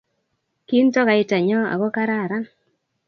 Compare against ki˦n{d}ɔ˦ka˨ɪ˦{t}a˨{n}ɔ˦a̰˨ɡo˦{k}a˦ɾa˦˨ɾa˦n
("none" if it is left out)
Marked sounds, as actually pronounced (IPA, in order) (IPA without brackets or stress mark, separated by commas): t, t, ɲ, k